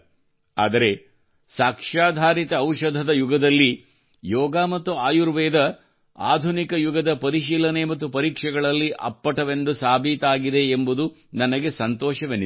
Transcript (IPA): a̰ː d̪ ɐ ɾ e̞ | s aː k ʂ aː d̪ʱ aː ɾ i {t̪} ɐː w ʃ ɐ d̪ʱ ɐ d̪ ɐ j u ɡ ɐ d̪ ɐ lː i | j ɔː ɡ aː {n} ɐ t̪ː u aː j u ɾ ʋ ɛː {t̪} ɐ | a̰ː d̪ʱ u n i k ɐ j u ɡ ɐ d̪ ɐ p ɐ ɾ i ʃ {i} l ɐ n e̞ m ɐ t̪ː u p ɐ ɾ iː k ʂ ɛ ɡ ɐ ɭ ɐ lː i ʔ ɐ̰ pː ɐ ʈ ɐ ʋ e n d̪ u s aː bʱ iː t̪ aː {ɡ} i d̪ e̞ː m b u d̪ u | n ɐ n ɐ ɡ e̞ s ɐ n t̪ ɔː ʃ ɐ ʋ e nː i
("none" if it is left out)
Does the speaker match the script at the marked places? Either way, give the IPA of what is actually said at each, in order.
t̪, m, d̪, iː, ɡ

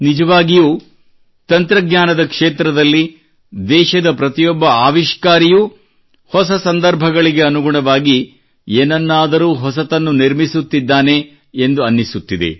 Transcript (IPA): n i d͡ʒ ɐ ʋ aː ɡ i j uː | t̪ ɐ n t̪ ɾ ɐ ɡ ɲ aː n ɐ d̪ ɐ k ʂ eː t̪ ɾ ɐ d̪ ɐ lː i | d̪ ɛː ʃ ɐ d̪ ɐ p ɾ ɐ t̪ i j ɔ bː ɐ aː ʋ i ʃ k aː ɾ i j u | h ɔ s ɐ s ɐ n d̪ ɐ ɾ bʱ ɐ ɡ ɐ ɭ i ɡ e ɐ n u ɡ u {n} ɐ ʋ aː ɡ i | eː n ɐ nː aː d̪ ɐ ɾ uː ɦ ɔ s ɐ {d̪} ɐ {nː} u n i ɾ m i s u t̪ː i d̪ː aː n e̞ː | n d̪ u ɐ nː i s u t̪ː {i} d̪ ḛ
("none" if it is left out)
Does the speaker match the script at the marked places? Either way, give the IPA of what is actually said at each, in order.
ɳ, t̪, nː, i

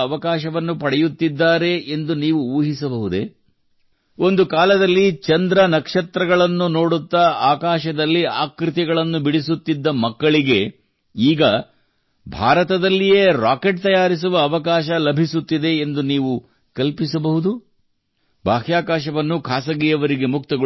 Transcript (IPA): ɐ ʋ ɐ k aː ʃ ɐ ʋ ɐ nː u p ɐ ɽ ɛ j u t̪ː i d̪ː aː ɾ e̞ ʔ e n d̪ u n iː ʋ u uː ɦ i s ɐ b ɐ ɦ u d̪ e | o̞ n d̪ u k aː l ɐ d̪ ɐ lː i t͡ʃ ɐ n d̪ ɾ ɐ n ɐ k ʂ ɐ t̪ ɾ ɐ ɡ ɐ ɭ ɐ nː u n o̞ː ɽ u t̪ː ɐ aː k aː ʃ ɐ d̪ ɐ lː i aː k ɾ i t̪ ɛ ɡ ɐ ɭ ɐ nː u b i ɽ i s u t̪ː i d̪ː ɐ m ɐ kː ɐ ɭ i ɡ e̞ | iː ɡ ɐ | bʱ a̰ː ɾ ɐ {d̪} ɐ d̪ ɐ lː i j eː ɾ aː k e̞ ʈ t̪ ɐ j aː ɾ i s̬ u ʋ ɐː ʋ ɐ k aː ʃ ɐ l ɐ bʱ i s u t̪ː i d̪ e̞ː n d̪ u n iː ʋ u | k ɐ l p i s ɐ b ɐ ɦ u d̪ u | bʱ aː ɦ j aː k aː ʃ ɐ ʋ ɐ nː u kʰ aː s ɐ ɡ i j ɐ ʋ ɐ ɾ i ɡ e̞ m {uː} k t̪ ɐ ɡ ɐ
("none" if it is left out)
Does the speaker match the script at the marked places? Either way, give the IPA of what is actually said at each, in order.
t̪, u

